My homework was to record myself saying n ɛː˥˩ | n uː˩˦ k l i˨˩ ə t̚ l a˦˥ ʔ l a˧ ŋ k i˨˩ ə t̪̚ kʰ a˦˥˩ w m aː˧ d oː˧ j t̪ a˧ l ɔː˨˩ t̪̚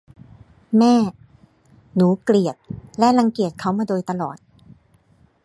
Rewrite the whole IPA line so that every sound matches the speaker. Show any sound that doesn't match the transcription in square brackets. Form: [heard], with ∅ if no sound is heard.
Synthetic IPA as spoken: [m] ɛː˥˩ | n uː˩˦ k l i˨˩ ə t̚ l [ɛ˦˥] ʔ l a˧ ŋ k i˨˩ ə t̪̚ kʰ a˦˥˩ w m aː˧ d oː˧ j t̪ a˧ l ɔː˨˩ t̪̚